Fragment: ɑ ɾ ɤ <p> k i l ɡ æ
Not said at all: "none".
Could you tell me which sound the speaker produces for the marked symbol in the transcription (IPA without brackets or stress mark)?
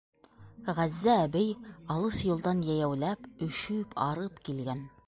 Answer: p